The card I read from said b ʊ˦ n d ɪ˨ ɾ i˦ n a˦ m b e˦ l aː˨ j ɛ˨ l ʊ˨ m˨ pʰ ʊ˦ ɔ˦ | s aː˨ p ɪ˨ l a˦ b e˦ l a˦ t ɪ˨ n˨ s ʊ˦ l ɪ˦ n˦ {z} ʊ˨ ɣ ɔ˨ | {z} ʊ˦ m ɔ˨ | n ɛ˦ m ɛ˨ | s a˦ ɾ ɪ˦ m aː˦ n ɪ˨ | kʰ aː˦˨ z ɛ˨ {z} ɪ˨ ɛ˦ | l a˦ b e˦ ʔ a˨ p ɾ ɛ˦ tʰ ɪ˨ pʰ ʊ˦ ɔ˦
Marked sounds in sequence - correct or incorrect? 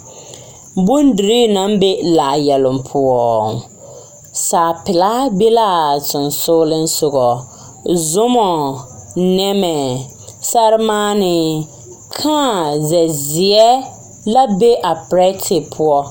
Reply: incorrect: s, correct, correct

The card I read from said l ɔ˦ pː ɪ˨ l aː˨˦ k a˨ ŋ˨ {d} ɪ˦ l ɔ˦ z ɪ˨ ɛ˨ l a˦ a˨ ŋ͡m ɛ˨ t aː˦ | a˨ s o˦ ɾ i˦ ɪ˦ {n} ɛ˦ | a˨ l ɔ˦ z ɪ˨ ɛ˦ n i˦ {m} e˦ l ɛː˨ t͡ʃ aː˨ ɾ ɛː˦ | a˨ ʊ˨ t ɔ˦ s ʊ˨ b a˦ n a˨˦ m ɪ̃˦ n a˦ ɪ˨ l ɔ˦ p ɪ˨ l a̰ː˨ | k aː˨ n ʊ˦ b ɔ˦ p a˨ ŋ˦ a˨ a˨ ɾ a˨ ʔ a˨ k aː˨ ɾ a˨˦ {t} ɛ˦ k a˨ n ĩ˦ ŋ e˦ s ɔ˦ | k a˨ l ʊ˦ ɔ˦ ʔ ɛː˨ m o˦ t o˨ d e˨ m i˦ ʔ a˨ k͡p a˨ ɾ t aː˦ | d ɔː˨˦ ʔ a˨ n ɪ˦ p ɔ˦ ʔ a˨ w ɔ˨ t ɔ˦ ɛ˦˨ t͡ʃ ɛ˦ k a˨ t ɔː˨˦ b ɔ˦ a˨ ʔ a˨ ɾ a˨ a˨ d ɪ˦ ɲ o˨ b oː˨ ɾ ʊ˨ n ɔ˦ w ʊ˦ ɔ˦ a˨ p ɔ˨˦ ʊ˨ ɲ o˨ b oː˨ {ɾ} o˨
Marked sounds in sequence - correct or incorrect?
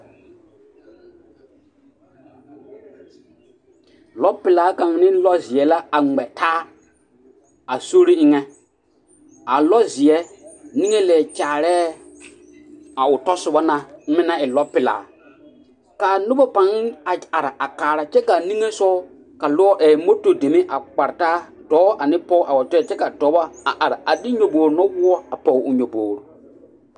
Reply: incorrect: n, incorrect: ŋ, incorrect: ŋ, incorrect: t͡ʃ, correct

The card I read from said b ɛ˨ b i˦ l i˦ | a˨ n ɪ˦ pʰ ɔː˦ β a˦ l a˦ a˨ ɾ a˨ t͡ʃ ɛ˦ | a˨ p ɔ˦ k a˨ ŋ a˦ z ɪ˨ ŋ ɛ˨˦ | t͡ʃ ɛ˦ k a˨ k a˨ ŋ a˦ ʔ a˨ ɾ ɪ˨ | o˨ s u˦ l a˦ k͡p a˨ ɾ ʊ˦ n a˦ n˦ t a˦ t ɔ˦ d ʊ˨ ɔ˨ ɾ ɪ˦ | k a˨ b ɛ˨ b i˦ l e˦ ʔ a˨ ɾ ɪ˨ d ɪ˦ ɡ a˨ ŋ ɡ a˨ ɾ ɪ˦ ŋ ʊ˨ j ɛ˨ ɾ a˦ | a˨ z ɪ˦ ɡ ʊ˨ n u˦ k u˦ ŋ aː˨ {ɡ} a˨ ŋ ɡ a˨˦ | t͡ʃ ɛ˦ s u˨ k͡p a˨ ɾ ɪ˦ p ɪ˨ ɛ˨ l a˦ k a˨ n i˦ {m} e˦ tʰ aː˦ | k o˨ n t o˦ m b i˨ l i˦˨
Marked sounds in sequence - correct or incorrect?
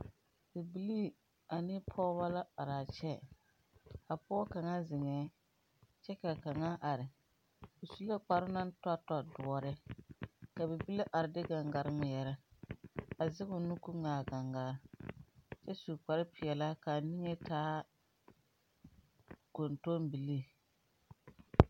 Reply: correct, incorrect: ŋ

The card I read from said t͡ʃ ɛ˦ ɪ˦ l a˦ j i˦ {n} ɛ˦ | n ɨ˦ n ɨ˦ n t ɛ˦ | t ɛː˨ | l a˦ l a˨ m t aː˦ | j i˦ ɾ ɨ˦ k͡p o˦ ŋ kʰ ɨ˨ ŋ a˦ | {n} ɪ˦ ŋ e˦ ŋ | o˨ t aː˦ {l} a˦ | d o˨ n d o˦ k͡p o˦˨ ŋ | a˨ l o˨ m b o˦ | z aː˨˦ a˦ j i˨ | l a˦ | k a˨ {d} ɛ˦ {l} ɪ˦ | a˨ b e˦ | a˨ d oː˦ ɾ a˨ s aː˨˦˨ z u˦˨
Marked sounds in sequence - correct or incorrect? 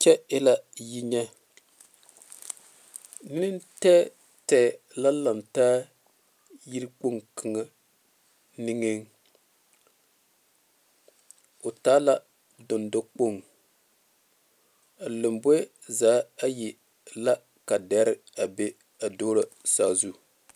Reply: incorrect: ɲ, correct, correct, correct, incorrect: ɾ

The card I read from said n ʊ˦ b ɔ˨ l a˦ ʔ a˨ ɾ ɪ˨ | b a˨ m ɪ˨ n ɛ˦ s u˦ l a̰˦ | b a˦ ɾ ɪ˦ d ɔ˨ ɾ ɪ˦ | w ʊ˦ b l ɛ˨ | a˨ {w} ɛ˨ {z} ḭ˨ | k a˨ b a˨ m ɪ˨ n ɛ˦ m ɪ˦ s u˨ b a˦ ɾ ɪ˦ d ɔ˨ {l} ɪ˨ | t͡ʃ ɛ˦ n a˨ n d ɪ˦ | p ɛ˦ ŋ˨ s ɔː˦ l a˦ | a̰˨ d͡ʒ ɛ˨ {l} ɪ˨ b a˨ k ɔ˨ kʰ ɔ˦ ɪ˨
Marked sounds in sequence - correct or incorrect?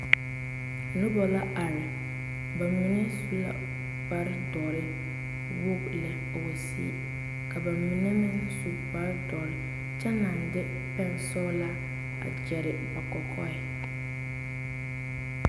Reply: correct, incorrect: s, incorrect: ɾ, incorrect: ɾ

